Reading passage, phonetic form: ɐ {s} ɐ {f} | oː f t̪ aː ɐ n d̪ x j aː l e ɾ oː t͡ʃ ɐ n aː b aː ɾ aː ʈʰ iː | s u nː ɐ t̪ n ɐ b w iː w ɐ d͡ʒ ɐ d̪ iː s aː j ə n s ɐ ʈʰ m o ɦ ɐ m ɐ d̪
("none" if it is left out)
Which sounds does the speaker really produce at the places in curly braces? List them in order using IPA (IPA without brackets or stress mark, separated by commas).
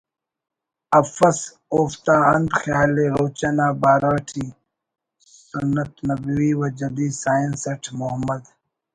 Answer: f, s